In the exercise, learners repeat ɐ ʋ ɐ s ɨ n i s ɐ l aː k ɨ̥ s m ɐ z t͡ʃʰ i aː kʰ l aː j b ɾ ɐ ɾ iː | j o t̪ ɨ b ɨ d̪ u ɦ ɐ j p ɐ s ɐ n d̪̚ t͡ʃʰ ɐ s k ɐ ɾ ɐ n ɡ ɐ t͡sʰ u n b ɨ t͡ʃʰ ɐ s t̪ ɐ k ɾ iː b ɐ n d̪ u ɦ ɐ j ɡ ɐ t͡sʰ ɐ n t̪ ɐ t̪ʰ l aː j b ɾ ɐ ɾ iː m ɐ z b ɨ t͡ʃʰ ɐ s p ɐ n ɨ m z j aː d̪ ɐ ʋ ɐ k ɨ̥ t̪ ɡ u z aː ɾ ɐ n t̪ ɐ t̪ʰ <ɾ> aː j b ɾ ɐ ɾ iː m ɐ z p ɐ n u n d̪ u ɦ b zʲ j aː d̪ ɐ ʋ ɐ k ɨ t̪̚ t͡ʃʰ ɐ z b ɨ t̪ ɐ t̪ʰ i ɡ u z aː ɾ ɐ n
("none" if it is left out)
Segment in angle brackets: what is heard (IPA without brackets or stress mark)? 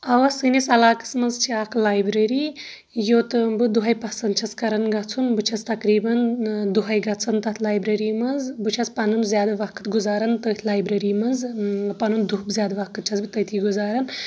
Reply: l